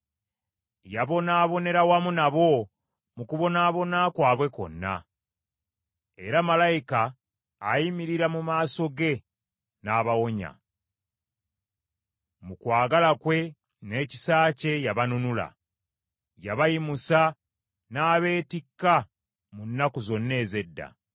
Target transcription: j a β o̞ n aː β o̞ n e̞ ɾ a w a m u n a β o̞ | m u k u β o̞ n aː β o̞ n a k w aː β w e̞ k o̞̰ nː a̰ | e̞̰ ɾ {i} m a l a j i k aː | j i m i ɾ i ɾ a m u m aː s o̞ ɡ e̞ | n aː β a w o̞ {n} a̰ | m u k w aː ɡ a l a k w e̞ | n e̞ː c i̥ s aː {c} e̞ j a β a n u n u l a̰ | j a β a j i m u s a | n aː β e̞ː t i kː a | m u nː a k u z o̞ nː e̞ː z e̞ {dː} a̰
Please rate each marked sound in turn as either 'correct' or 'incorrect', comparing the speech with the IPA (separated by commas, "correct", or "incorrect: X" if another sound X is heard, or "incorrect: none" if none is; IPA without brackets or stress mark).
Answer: incorrect: a, incorrect: ɲ, correct, correct